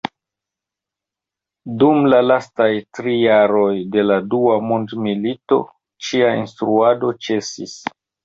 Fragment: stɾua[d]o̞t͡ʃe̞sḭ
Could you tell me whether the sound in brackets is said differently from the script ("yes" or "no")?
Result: no